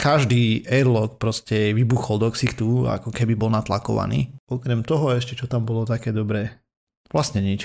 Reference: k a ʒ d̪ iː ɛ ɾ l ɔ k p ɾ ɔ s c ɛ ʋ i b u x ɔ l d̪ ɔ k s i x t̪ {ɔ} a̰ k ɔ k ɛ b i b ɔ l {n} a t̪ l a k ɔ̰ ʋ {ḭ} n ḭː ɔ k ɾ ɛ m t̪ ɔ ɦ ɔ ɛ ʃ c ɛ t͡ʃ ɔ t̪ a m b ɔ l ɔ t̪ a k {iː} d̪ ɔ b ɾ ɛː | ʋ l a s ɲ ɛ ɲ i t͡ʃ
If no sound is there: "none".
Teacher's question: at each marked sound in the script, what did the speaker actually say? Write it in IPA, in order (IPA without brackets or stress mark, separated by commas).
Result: u, n, a̰, ɛː